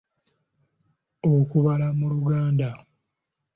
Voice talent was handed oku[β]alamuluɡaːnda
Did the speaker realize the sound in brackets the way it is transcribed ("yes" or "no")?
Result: yes